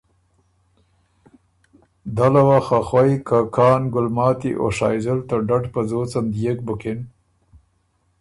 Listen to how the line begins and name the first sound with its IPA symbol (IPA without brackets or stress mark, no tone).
d̪